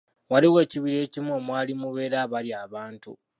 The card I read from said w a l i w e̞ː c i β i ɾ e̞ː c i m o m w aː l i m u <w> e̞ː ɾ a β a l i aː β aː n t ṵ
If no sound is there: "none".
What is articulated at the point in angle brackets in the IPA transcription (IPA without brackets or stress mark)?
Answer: β